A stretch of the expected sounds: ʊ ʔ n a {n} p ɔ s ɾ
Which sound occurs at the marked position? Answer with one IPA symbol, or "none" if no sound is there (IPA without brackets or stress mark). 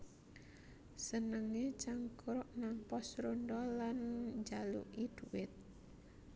ŋ